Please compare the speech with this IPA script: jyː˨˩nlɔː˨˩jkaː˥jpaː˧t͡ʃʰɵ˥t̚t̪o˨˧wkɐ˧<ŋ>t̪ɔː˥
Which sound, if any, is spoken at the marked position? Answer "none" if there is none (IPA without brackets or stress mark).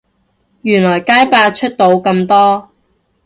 m